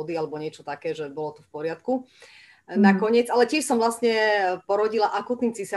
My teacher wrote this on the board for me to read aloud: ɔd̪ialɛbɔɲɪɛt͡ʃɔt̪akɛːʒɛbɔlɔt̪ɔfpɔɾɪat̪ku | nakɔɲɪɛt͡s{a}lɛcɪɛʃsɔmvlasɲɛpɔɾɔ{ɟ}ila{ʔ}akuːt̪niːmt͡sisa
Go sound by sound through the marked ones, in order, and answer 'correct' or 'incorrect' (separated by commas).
correct, correct, correct